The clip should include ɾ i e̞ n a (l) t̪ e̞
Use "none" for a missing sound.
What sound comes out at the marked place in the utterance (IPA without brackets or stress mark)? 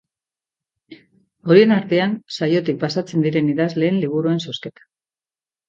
ɾ